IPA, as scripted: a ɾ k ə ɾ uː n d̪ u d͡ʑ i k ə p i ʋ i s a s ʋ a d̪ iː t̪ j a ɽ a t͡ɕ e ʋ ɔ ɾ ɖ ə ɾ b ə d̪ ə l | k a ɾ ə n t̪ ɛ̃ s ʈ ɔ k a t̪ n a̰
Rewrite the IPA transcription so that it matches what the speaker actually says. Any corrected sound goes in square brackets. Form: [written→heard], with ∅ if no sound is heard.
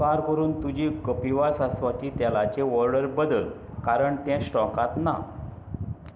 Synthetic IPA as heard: a ɾ k ə ɾ uː n [d̪→t̪] u d͡ʑ i k ə p i ʋ [i→a] s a s ʋ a [d̪→t̪] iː t̪ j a [ɽ→l] a t͡ɕ e ʋ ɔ ɾ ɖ ə ɾ b ə d̪ ə l | k a ɾ ə [n→ɳ] t̪ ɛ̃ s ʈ ɔ k a t̪ n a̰